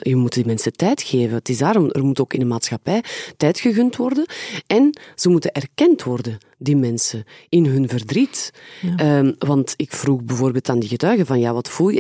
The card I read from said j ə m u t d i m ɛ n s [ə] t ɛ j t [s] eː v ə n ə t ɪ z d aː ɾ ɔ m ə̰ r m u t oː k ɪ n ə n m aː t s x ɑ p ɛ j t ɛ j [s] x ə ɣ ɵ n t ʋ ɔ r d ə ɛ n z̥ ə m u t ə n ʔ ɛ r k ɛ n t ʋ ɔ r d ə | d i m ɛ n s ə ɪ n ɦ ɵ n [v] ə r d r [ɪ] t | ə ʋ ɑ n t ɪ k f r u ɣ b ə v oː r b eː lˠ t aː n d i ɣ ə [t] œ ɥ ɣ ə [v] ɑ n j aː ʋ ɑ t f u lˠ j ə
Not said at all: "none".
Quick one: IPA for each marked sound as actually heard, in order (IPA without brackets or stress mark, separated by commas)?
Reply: ə, x, t, v, i, t, v